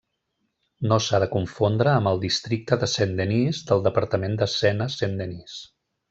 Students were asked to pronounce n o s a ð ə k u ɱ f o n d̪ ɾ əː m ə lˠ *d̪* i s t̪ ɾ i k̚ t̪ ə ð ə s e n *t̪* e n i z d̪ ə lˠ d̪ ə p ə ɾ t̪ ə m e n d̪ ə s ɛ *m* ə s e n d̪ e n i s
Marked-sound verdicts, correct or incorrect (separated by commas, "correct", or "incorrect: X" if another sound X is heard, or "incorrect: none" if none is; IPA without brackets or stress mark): correct, incorrect: d̪, incorrect: n